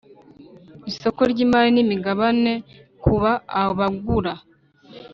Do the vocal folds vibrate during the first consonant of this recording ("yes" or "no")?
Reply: no